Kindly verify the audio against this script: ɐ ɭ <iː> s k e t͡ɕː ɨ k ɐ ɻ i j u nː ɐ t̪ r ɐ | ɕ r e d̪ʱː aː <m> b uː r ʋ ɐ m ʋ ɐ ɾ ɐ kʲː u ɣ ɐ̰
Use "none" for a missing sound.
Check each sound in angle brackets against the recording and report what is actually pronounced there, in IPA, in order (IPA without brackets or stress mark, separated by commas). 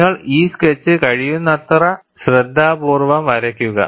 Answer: iː, none